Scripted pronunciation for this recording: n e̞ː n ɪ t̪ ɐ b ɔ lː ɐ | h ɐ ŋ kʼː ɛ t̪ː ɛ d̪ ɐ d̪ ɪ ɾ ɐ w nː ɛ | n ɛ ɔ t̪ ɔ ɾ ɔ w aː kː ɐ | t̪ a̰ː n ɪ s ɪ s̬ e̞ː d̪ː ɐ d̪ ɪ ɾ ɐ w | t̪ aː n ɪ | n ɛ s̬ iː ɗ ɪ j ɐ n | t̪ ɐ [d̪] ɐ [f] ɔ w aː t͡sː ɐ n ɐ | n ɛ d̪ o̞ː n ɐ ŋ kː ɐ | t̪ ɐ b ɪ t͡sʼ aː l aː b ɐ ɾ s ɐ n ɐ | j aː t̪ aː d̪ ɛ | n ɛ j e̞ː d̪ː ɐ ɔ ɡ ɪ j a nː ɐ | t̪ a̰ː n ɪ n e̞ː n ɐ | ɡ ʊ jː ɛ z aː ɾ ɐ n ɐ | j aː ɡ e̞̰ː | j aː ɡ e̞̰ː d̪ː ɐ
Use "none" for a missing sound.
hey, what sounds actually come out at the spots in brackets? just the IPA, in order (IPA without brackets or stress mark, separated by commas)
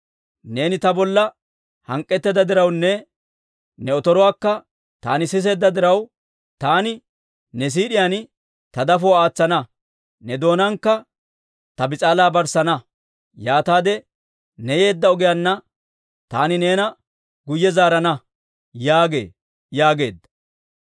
d̪, f